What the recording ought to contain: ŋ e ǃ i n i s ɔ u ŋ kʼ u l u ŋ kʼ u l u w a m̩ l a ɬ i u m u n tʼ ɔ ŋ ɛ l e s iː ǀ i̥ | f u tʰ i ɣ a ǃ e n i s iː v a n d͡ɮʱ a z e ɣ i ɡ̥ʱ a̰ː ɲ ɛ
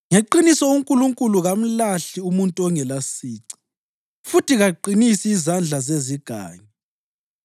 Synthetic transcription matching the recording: ŋ e ǃ i n i s ɔ u ŋ kʼ u l u ŋ kʼ u l u ɣ a m̩ l a ɬ i u m u n tʼ ɔ ŋ ɛ l a s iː ǀ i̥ | f u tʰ i ɣ a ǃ i n i s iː z a n d͡ɮʱ a z e z i ɡ̥ʱ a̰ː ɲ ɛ